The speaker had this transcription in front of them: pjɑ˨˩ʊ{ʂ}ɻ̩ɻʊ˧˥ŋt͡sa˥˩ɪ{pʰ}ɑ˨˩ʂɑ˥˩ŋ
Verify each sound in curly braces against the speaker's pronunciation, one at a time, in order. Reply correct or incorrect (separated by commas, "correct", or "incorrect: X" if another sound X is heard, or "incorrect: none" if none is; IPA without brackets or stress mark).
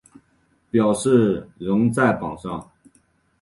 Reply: correct, incorrect: p